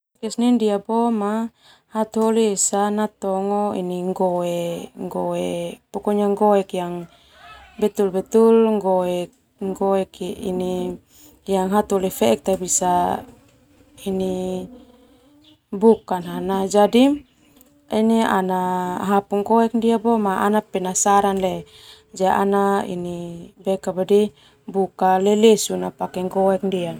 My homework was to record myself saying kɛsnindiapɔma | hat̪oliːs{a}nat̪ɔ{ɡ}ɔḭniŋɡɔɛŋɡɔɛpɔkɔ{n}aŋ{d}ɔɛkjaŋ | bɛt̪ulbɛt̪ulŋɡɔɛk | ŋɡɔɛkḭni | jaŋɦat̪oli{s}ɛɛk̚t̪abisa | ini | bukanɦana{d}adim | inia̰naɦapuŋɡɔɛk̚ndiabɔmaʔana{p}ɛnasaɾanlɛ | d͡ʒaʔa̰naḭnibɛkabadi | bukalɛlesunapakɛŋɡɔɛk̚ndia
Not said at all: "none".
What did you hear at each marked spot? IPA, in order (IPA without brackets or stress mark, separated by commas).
a, ŋ, ɲ, ɡ, f, d͡ʒ, p